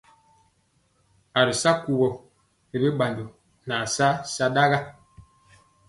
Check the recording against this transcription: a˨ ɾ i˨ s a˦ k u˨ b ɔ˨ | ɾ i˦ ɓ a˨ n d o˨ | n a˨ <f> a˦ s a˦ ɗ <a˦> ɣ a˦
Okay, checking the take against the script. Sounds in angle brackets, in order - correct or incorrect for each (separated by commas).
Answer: incorrect, correct